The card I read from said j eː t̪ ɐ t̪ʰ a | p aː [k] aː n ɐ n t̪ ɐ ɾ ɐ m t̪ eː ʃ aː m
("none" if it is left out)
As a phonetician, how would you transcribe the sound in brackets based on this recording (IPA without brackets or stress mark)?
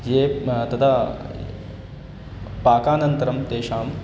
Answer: k